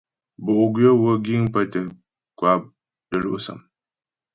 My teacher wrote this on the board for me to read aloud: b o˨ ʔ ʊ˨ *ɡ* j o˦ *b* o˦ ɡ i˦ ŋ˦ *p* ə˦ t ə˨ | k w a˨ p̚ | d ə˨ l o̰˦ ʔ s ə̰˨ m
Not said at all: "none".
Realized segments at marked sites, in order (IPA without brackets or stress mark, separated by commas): ɡ, w, p